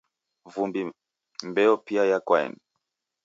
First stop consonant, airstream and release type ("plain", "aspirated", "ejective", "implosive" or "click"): plain